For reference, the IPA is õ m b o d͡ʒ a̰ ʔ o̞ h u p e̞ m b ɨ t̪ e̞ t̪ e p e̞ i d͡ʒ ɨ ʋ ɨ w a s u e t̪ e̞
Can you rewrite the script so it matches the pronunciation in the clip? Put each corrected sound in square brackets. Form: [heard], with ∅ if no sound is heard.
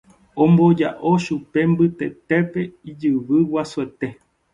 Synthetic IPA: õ m b o d͡ʒ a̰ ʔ o̞ [ʃ] u p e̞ m b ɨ t̪ e̞ t̪ e p e̞ i d͡ʒ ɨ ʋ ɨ w a s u e t̪ e̞